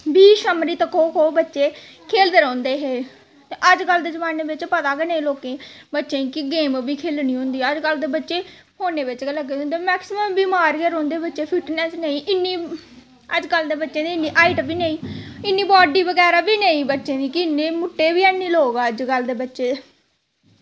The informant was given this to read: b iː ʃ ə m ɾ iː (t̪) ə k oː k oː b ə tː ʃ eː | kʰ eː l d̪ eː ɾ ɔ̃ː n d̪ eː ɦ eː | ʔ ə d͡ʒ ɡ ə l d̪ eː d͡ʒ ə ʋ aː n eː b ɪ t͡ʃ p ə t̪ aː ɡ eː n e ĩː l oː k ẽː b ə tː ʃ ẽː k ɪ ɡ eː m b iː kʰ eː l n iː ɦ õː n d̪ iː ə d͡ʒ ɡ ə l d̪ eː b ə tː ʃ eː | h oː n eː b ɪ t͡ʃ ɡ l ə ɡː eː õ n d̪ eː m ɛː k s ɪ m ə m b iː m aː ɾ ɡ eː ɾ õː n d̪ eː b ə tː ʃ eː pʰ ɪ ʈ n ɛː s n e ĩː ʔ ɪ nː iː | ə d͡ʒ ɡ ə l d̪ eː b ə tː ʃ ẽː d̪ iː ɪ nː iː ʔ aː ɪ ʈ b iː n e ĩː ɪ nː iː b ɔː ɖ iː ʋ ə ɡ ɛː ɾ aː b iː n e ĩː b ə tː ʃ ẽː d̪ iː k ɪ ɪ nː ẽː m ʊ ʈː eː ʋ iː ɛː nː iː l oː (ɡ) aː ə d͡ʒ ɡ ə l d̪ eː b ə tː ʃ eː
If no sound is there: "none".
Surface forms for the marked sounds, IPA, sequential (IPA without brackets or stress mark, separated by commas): t̪, ɡ